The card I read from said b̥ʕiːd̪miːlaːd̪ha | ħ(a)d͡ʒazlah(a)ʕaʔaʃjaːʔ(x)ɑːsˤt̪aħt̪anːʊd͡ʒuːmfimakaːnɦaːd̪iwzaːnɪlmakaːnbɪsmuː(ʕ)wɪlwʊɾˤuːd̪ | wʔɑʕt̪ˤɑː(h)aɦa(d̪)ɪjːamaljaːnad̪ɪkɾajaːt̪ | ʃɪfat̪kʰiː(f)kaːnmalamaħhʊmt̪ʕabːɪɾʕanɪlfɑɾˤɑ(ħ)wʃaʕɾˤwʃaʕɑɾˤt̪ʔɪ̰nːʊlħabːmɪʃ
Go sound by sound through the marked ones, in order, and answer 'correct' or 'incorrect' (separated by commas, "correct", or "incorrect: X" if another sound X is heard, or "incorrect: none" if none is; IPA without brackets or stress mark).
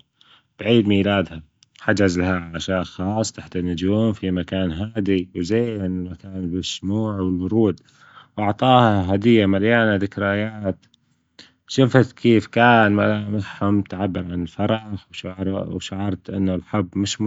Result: correct, correct, correct, correct, correct, correct, correct, correct